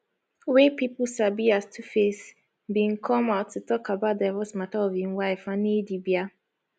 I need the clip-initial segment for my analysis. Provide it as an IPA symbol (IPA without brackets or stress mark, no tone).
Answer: w